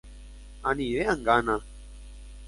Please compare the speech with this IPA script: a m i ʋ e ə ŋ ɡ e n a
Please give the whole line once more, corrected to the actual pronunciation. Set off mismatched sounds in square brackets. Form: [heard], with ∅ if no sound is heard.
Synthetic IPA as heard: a [n] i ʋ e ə ŋ ɡ [a] n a